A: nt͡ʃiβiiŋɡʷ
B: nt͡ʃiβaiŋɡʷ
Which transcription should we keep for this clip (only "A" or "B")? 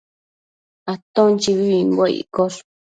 A